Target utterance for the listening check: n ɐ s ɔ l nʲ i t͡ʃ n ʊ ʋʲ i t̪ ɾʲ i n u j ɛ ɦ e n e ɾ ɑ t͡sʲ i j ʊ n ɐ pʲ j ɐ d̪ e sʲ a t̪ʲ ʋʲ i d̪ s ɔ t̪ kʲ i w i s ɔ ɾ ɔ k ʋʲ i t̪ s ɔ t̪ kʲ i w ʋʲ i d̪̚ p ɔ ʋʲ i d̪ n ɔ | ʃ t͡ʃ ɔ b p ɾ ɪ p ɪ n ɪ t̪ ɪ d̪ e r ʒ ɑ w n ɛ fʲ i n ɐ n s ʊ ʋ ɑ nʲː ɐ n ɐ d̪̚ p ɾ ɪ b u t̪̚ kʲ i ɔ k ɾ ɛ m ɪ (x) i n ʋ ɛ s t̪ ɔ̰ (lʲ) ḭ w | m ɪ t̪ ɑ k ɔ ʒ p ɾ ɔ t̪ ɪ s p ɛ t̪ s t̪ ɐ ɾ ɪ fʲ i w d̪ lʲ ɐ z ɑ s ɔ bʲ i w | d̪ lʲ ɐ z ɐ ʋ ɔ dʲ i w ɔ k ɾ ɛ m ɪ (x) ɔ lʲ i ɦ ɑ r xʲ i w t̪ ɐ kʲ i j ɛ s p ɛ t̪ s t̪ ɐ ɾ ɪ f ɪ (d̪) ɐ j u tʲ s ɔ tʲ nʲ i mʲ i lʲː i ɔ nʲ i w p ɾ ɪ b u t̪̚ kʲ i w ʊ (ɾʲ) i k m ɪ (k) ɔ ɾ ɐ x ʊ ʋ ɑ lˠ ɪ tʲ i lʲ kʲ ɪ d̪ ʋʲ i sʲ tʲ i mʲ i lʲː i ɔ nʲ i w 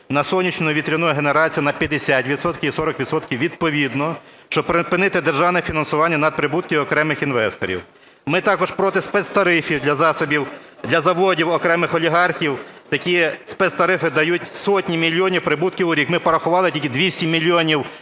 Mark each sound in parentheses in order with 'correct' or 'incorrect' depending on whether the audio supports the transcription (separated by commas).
correct, incorrect, correct, correct, correct, incorrect